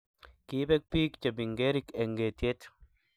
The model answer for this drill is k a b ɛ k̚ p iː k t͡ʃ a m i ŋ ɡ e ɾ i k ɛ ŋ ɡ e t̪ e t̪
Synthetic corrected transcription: k i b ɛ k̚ p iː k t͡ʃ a b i ŋ ɡ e ɾ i k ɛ ŋ ɡ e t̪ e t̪